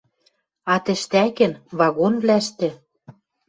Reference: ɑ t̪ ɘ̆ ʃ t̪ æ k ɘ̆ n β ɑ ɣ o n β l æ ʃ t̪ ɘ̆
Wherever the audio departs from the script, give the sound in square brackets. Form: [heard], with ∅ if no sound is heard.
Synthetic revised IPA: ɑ t̪ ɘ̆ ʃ t̪ æ k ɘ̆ n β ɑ ɣ o n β l æ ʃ t̪ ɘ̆